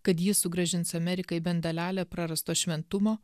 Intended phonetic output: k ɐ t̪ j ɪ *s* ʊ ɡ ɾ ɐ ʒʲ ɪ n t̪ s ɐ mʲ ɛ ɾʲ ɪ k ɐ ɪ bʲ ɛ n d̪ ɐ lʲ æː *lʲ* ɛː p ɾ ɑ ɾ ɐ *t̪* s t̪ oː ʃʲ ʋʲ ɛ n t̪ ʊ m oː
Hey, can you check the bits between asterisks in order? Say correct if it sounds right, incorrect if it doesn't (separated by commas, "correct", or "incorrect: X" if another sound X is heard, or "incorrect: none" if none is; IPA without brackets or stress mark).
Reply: correct, correct, incorrect: none